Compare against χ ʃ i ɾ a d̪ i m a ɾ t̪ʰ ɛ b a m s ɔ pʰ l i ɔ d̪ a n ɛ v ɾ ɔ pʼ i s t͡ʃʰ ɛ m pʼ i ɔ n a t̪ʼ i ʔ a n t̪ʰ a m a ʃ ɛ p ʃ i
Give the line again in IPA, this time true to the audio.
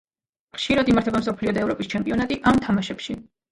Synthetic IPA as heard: χ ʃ i ɾ a d̪ i m a ɾ t̪ʰ ɛ b a m s ɔ pʰ l i ɔ d̪ a ɛ v ɾ ɔ pʼ i s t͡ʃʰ ɛ m pʼ i ɔ n a t̪ʼ i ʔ a m t̪ʰ a m a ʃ ɛ p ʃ i